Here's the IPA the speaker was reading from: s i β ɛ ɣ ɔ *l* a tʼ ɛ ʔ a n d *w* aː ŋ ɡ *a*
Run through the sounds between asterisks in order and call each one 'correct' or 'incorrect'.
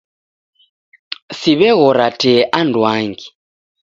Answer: incorrect: ɾ, correct, incorrect: i

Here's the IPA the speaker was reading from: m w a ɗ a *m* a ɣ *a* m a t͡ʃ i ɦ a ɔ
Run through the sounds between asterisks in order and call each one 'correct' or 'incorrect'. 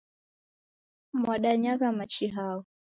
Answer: incorrect: ɲ, correct

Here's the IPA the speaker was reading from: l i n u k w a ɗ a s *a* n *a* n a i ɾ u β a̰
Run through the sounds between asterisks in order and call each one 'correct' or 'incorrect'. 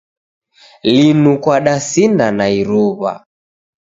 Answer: incorrect: i, correct

